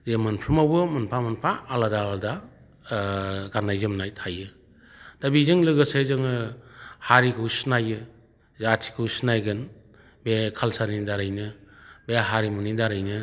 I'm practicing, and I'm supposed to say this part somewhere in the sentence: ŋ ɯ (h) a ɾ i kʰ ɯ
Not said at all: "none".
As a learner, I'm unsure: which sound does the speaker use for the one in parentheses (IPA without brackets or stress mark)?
h